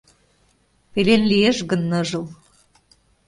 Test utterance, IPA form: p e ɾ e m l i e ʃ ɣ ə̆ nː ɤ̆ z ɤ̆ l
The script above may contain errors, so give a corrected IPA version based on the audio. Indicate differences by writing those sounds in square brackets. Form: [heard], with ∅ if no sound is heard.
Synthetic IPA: p e [l] e [n] l i e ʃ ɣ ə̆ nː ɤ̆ [ʒ] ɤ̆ l